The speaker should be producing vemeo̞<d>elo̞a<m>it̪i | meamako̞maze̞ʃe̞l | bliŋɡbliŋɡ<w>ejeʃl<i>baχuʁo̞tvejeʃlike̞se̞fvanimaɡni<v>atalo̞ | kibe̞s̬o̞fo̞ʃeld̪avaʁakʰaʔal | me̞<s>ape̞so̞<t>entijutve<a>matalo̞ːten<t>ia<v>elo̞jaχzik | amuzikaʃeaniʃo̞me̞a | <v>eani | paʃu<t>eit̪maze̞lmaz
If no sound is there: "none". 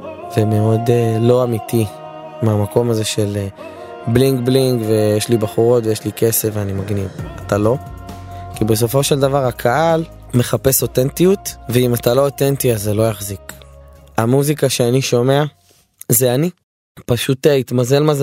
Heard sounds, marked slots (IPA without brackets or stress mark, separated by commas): d, m, v, i, v, χ, t, i, t, z, z, t